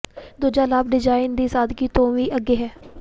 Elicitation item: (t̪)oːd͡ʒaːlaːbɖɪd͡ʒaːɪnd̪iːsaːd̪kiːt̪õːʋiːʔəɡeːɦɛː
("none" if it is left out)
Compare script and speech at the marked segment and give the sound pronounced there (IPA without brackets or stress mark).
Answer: d̪